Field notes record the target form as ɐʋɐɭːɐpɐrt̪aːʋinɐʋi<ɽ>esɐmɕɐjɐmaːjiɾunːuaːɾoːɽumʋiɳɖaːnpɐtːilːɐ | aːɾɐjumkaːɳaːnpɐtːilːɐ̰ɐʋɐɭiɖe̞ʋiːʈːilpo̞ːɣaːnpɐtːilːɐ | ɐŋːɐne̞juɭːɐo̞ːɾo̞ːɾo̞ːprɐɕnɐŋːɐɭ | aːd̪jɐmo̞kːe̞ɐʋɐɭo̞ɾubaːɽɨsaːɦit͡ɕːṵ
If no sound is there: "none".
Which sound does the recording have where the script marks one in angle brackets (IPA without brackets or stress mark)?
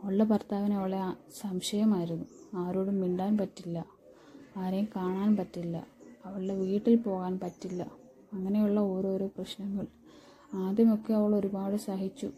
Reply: ɭ